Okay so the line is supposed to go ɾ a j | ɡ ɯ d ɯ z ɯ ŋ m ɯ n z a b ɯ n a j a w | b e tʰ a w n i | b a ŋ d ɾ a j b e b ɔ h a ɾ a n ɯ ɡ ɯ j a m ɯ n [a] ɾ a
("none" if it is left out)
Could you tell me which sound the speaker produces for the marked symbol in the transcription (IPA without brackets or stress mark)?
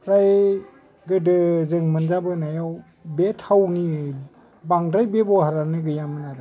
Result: a